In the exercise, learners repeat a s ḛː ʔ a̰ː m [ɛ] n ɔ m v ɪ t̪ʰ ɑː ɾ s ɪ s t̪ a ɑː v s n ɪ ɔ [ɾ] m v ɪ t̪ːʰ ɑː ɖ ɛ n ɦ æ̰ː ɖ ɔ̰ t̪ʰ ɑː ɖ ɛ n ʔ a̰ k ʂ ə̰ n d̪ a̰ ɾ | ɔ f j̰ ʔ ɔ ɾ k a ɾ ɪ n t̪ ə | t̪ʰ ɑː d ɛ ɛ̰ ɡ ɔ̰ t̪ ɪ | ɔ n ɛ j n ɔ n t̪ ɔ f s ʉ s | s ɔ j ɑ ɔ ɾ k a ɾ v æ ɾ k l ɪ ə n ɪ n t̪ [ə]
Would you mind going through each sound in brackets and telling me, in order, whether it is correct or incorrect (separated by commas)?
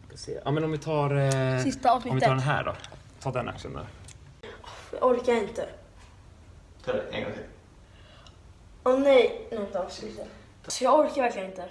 correct, incorrect, correct